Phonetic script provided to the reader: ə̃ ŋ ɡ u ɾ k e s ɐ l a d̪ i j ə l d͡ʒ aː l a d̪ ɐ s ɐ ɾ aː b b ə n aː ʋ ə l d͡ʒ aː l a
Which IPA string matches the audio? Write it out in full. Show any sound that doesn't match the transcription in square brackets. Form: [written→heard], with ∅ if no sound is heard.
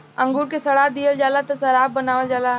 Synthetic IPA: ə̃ ŋ ɡ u ɾ k e s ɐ [l→ɽ] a d̪ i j ə l d͡ʒ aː l a [d̪→t̪] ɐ s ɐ ɾ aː b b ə n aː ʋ ə l d͡ʒ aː l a